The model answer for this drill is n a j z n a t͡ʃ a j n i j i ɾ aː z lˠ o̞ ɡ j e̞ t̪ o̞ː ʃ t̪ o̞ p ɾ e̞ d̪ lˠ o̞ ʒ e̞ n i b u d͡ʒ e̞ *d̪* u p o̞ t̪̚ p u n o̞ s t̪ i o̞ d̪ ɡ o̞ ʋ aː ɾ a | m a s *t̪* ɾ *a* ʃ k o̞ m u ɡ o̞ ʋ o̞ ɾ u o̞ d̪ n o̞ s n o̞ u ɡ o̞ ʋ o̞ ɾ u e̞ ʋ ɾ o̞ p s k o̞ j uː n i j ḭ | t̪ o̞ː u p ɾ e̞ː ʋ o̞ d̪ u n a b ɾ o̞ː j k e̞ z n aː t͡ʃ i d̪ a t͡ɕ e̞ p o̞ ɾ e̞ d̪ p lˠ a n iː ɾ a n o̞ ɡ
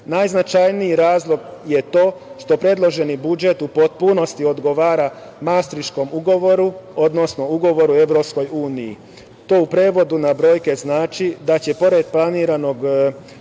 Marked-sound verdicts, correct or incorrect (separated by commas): incorrect, correct, incorrect